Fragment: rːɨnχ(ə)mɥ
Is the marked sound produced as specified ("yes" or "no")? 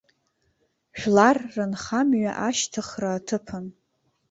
no